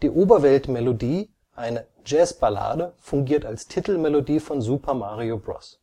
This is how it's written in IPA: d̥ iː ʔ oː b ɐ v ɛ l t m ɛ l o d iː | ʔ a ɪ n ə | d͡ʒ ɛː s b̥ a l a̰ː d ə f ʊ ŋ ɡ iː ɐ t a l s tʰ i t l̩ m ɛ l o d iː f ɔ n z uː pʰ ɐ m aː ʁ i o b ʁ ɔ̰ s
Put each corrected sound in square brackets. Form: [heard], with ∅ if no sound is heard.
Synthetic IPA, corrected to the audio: d̥ iː ʔ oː b ɐ v ɛ l t m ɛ l o d iː | ʔ a ɪ n ə | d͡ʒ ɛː s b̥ a l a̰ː d ə f ʊ ŋ ɡ iː ɐ t a l s tʰ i t l̩ m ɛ l o d iː f ɔ n z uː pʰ ɐ m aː ʁ i o b ʁ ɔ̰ s